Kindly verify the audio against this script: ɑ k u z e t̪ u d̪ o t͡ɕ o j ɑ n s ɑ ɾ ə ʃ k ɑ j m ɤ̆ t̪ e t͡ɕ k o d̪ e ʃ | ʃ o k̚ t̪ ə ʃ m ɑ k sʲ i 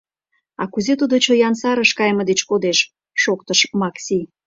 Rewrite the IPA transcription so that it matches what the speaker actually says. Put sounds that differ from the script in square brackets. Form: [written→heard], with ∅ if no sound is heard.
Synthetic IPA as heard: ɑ k u z e t̪ u d̪ o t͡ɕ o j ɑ n s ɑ ɾ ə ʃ k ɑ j m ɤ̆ [t̪→d̪] e t͡ɕ k o d̪ e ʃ | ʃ o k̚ t̪ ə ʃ m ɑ k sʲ i

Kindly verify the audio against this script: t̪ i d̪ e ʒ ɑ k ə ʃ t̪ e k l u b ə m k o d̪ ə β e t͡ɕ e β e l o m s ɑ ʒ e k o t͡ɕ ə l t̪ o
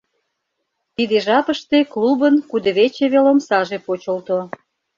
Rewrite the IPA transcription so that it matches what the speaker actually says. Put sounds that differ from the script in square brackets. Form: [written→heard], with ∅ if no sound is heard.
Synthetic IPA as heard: t̪ i d̪ e ʒ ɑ [k→p] ə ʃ t̪ e k l u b ə [m→n] k [o→u] d̪ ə β e t͡ɕ e β e l o m s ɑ ʒ e [k→p] o t͡ɕ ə l t̪ o

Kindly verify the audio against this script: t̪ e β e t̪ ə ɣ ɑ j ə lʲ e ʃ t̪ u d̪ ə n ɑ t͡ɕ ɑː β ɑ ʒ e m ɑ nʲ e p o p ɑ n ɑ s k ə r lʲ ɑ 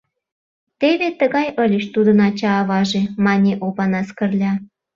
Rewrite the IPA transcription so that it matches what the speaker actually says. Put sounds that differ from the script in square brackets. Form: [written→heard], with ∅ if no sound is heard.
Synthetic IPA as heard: t̪ e β e t̪ ə ɣ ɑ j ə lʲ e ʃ t̪ u d̪ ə n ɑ t͡ɕ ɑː β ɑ ʒ e m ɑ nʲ e [p→ʔ] o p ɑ n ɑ s k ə r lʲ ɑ

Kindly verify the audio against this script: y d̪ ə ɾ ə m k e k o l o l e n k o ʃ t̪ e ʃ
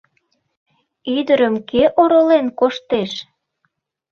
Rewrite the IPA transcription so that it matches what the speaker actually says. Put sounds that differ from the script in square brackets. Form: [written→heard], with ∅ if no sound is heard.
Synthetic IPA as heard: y d̪ ə ɾ ə m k e [k→ʔ] o [l→ɾ] o l e n k o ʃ t̪ e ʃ

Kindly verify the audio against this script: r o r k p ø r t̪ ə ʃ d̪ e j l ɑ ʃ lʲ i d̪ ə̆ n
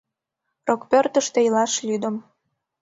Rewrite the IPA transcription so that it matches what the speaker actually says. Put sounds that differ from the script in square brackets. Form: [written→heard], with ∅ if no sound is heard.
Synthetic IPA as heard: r o [r→∅] k p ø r t̪ ə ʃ [d̪→t̪] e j l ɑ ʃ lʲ [i→y] d̪ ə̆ [n→m]

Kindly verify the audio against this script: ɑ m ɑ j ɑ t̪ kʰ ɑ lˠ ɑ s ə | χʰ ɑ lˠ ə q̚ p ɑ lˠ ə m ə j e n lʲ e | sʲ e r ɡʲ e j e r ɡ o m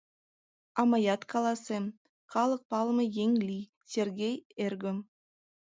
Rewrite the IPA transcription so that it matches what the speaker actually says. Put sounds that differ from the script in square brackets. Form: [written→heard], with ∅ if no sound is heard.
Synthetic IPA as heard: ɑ m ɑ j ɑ t̪ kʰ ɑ lˠ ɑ s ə | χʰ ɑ lˠ ə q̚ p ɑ lˠ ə m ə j e [n→ŋ] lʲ [e→i] | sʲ e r ɡʲ e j e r ɡ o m

